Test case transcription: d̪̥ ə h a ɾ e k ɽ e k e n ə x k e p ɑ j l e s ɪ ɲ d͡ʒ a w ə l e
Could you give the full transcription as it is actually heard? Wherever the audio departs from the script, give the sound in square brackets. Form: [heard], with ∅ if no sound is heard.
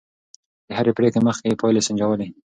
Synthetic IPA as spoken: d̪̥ ə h a ɾ e [p] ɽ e k e [m] ə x k e p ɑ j l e s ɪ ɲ d͡ʒ a w ə l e